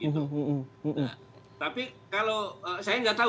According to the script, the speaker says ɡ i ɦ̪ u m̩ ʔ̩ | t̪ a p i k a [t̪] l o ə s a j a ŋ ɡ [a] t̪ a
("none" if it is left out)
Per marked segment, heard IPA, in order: none, a

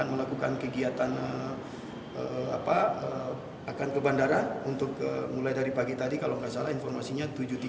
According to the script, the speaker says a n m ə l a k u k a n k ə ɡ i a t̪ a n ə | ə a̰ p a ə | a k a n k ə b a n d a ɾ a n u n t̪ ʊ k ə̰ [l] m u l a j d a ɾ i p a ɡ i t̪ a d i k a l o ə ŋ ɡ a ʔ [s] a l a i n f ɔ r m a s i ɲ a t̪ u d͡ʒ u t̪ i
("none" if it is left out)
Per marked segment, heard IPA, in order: none, s

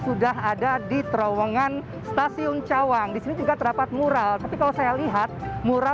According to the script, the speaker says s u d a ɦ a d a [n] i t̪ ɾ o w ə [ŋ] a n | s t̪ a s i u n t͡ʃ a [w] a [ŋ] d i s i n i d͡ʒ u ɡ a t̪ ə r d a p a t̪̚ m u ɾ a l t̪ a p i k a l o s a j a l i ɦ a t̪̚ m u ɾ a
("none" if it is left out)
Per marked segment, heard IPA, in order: d, ŋ, w, ŋ

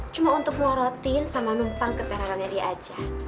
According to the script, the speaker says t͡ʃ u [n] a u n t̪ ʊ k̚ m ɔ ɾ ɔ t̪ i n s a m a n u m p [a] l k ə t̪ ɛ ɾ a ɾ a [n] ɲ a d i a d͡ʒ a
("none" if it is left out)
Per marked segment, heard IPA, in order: m, a, n

